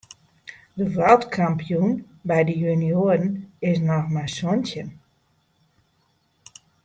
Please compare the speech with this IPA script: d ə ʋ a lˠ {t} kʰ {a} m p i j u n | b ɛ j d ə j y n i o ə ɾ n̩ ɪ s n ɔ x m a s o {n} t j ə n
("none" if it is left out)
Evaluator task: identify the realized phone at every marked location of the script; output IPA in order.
t, a, n

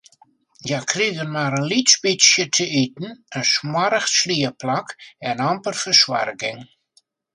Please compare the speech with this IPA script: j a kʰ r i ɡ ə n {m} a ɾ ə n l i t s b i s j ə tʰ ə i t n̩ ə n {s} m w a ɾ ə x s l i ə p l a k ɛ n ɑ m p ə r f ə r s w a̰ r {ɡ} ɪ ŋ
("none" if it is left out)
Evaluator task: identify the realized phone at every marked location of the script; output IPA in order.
m, s, ɡ

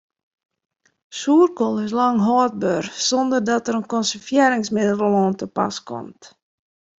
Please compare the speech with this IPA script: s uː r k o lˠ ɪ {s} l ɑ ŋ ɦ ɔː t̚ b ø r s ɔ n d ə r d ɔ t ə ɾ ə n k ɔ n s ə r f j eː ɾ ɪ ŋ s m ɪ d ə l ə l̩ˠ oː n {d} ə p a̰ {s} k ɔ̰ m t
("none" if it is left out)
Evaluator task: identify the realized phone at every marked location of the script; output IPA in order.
s, t, s

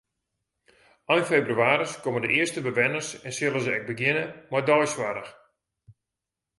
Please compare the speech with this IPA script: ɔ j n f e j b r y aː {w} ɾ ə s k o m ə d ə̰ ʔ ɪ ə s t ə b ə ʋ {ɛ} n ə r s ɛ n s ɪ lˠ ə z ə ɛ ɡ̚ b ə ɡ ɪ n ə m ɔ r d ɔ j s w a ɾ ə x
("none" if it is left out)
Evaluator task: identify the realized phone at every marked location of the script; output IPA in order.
none, ɛ

